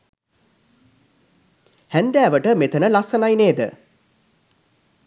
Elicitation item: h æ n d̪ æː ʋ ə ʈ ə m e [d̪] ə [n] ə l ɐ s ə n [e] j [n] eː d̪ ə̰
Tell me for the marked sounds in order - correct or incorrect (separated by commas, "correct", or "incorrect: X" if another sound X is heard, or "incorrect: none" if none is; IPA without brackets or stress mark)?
incorrect: t̪, correct, incorrect: a, correct